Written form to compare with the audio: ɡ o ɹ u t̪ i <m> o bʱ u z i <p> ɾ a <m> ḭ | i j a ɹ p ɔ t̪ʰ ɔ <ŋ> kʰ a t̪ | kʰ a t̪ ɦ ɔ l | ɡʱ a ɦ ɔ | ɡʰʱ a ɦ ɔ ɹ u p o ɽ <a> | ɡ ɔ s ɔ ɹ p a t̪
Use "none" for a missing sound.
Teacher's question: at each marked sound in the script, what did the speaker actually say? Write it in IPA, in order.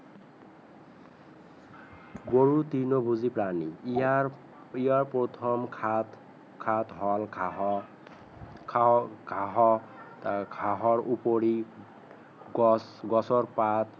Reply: n, p, n, m, i

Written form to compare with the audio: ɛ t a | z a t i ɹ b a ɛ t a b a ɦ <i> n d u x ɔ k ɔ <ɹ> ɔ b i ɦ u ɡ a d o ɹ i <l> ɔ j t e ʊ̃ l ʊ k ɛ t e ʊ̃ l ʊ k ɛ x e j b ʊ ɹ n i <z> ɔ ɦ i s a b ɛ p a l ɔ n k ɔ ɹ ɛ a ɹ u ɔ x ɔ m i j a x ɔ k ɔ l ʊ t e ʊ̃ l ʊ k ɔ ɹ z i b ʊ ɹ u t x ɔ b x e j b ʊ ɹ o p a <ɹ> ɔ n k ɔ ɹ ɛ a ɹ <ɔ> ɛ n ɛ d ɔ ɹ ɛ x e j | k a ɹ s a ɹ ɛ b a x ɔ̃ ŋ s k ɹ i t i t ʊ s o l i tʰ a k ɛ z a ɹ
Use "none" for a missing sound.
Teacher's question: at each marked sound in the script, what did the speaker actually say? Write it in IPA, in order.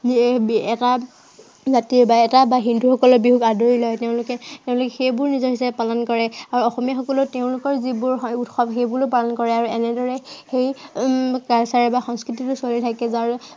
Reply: i, l, l, z, l, u

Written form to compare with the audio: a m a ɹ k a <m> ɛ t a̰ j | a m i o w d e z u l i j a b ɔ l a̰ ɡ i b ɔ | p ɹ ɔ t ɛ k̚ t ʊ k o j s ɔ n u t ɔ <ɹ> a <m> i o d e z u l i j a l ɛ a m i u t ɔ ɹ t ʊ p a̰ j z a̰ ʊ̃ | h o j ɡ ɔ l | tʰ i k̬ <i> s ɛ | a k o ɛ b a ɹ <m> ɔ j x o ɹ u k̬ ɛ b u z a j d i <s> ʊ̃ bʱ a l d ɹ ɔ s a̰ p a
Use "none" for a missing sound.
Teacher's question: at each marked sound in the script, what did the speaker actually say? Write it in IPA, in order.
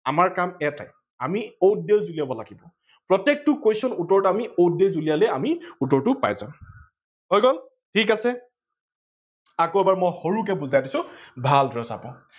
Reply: m, ɹ, m, a, m, s

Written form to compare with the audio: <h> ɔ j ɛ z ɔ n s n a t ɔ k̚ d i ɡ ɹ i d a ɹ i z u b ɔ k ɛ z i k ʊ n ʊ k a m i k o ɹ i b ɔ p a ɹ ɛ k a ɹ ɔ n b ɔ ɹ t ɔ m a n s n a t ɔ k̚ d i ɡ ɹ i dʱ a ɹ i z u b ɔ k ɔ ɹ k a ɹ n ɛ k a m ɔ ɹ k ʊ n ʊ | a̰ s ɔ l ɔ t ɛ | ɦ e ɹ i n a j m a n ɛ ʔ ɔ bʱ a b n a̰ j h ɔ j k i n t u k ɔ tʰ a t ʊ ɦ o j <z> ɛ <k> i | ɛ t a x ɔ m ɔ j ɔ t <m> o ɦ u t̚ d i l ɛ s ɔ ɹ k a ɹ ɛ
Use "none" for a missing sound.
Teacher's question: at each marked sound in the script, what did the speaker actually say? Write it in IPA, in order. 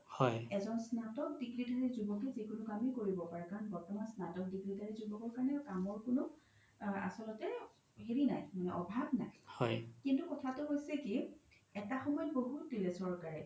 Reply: h, s, k, b

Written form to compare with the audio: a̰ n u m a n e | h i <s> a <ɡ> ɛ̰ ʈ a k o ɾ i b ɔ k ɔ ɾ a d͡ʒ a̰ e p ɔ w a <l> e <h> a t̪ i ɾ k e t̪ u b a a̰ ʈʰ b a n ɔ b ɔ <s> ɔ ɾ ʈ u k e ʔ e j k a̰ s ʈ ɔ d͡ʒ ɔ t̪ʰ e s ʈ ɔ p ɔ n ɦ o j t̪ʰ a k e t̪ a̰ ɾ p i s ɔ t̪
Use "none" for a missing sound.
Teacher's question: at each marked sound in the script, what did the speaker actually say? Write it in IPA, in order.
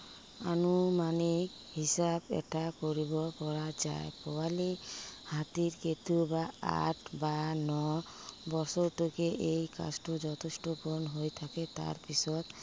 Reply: s, b, l, h, s

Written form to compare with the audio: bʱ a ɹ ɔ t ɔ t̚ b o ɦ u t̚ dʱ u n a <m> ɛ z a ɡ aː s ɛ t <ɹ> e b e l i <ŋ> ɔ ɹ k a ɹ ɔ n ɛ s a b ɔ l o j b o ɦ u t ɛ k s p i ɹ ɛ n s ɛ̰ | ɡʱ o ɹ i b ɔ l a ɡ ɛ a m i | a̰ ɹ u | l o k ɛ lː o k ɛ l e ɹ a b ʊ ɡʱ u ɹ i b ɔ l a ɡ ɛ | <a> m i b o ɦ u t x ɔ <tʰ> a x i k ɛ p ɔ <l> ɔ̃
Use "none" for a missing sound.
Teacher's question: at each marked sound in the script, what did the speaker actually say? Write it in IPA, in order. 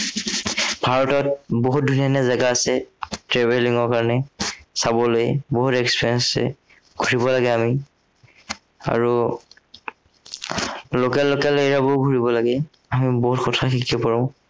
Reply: n, ɹ, ŋ, a, tʰ, ɹ

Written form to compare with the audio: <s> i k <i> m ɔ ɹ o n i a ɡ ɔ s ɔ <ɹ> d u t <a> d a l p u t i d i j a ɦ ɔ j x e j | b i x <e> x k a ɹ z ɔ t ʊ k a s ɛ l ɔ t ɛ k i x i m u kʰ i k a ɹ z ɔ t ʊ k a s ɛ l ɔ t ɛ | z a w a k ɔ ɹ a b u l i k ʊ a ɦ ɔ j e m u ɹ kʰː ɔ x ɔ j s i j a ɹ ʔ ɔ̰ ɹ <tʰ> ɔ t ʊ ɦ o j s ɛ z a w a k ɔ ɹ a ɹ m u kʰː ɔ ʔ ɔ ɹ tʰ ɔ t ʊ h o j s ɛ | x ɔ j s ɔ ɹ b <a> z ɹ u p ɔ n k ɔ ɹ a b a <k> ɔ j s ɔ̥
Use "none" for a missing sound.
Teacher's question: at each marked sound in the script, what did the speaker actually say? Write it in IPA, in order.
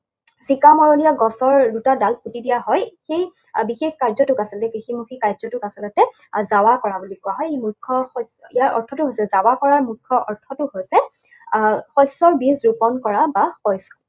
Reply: s, a, ɹ, a, e, tʰ, i, x

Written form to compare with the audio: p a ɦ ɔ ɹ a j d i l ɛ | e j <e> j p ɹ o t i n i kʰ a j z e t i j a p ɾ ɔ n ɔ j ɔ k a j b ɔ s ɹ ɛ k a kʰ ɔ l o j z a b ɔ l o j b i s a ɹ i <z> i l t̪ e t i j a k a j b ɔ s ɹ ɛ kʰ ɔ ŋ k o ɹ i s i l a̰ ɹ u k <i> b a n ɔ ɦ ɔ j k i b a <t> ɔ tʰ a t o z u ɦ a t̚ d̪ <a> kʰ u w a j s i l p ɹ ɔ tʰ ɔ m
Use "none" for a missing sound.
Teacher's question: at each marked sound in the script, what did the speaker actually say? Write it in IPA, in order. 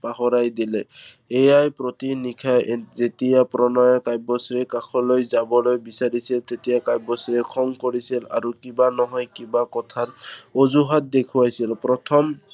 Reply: a, s, i, k, e

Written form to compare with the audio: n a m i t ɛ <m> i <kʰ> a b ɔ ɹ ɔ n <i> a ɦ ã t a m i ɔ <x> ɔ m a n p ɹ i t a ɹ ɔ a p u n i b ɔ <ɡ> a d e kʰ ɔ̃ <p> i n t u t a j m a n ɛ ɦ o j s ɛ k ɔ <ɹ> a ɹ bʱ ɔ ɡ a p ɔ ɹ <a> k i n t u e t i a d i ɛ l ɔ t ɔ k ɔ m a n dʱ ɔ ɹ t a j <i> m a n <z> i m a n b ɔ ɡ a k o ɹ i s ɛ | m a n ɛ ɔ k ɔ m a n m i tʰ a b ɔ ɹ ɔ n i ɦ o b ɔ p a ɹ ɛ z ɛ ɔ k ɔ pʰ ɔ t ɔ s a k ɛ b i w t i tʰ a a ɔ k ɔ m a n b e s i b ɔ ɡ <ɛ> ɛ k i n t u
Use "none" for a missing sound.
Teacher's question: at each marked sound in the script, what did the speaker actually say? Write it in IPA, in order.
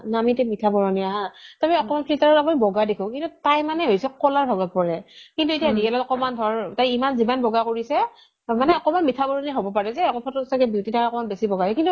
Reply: m, tʰ, i, k, ɡ, k, l, ɛ, i, z, a

